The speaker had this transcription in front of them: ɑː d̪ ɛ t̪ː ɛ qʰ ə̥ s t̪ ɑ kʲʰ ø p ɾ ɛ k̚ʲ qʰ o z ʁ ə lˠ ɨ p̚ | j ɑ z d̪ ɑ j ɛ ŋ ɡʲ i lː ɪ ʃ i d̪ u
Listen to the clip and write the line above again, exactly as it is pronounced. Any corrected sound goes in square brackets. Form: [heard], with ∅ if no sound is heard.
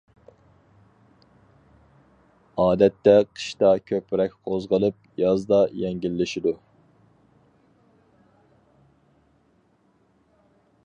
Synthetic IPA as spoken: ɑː d̪ ɛ t̪ː ɛ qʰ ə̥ [ʃ] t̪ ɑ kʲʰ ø p ɾ ɛ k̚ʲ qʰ o z ʁ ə lˠ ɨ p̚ | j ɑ z d̪ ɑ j ɛ ŋ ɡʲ i lː ɪ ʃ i d̪ u